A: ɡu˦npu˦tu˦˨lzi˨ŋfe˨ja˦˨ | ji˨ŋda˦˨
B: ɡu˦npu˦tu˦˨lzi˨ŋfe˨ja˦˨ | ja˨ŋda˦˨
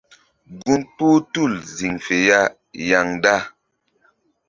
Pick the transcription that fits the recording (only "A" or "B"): B